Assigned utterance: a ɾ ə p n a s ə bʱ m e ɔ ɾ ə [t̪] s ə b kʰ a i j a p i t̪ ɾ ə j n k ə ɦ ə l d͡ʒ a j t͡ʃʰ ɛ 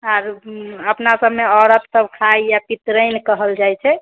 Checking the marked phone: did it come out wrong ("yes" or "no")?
no